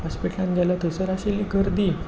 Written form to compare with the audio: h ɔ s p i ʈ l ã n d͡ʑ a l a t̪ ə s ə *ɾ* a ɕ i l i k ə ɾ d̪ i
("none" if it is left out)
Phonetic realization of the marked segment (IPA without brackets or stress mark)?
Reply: ɾ